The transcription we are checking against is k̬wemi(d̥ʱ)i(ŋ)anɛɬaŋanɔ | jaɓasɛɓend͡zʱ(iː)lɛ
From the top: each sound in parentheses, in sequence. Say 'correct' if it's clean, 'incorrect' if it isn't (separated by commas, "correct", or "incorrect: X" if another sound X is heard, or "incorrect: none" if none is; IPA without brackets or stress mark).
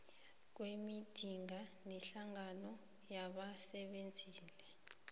correct, correct, correct